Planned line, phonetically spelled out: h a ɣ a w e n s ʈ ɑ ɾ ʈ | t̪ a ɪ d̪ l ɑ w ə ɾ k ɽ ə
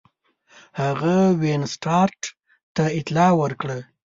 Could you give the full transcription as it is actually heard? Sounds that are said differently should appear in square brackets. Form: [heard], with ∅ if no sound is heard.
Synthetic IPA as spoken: h a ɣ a w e n s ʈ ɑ ɾ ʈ | t̪ a ɪ [t̪] l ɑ w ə ɾ k ɽ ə